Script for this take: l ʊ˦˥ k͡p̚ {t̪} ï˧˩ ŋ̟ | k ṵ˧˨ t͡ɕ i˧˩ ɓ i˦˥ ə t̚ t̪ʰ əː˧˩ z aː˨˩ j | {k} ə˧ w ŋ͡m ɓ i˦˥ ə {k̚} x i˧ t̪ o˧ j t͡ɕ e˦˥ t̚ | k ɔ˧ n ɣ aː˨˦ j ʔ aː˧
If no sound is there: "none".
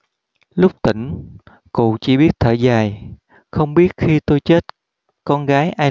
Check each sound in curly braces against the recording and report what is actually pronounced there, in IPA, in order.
t̪, x, t̚

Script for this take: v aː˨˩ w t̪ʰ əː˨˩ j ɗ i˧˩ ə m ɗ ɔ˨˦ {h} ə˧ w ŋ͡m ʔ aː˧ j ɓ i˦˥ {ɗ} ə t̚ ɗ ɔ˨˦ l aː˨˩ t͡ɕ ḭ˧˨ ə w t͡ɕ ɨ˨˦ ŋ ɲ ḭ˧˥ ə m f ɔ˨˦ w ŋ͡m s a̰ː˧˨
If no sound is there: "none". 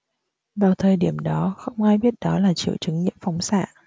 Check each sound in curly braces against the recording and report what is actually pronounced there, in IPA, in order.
x, none

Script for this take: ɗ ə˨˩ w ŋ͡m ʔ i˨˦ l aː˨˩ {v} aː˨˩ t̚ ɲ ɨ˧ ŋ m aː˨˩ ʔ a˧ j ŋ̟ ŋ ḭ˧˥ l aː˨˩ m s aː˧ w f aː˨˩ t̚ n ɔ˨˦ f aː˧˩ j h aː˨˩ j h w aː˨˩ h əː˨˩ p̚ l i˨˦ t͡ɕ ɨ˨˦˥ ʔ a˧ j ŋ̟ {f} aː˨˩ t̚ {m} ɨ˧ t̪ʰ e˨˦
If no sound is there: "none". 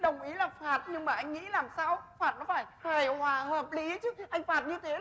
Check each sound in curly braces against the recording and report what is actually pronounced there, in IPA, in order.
f, f, ɲ

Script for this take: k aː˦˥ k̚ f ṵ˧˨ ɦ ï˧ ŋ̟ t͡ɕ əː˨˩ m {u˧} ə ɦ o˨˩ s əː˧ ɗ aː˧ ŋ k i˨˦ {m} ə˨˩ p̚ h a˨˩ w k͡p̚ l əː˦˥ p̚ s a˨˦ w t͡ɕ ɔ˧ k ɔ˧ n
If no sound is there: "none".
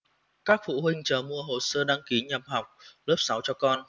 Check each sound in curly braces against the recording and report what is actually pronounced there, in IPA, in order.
u˧, ɲ

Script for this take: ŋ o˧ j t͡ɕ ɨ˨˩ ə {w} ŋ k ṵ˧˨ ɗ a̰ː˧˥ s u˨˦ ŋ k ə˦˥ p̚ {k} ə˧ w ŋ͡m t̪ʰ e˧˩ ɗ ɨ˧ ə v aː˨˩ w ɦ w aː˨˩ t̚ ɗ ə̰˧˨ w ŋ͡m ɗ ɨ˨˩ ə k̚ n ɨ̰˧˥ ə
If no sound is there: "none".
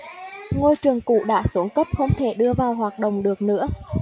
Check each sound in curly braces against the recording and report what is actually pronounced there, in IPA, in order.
none, x

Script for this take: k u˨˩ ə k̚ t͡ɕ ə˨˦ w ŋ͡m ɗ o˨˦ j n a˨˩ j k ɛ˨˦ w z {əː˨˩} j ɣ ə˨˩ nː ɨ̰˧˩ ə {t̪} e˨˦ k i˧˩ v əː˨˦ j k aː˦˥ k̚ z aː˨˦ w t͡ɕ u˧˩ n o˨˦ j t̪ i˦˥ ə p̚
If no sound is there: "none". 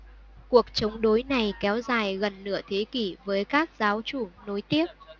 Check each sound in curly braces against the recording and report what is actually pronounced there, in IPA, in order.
aː˨˩, t̪ʰ

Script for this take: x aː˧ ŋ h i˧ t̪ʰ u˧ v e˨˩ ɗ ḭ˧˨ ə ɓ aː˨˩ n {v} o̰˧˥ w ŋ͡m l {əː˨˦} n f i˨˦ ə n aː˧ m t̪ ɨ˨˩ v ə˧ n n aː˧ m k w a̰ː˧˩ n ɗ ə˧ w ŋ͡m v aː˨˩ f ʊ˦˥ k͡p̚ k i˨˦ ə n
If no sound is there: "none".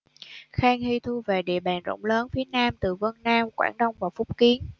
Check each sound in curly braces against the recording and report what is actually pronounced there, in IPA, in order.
z, əː˨˦

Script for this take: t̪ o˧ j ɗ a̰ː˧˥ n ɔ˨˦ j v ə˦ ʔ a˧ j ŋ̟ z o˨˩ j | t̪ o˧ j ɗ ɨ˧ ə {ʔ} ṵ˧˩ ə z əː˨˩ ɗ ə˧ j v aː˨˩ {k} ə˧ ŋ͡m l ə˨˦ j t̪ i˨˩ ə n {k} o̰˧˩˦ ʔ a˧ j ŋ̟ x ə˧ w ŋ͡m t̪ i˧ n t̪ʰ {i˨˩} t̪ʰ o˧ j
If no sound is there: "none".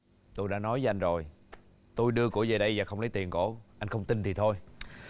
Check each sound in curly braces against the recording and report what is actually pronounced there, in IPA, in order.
k, x, k, i˨˩

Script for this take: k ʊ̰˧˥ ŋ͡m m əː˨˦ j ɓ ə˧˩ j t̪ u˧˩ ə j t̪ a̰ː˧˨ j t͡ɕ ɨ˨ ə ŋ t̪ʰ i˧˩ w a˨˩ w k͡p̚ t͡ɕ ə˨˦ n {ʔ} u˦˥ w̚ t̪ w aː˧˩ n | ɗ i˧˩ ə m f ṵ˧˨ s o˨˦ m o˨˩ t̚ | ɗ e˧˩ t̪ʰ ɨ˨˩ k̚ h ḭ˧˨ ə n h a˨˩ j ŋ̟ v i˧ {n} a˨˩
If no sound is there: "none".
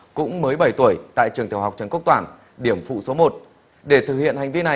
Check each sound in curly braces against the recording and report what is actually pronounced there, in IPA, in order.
k, n

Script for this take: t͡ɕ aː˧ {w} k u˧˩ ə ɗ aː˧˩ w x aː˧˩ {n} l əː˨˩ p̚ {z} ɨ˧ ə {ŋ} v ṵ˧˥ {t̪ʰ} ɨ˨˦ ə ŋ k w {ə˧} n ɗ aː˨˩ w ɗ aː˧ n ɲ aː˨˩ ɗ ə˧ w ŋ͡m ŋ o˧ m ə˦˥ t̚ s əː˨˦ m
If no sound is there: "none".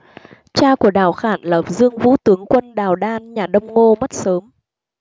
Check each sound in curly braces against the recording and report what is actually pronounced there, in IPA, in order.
none, n, z, ŋ, t̪, ə˧

